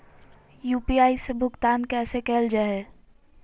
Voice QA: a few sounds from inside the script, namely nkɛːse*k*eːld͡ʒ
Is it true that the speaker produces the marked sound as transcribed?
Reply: yes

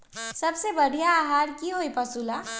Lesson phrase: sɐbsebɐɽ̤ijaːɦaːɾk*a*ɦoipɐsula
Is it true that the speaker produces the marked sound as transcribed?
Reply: no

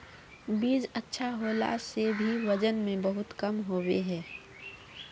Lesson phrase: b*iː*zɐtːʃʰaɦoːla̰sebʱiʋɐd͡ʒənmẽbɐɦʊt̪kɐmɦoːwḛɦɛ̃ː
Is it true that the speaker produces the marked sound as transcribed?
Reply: yes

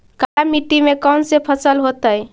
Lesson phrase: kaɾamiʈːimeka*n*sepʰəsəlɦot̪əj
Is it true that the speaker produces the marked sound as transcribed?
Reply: yes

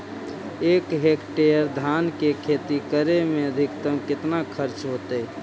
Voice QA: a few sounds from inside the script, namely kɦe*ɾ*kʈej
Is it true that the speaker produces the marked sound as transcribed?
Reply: no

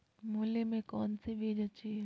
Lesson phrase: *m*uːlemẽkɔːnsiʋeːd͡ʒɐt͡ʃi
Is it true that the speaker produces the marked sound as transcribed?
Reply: yes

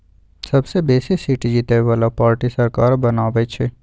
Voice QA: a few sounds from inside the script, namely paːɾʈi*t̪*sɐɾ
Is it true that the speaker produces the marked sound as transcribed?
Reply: no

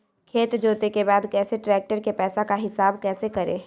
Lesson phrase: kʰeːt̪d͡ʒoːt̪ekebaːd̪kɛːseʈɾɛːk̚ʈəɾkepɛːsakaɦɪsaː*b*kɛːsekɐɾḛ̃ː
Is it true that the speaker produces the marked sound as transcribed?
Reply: yes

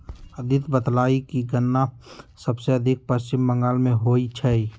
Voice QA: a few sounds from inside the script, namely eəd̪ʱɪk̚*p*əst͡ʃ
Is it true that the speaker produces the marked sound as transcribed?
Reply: yes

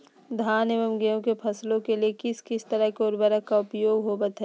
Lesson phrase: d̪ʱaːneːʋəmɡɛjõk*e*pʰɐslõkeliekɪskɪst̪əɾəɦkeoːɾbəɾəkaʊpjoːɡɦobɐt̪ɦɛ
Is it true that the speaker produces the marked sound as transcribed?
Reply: yes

